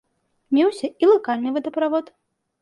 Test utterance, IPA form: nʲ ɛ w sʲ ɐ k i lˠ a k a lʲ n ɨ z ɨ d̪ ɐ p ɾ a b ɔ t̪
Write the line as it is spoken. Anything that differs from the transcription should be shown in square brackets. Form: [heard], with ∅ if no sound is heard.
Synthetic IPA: [mʲ] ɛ w sʲ ɐ [∅] i lˠ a k a lʲ n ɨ [v] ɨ d̪ ɐ p ɾ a [v] ɔ t̪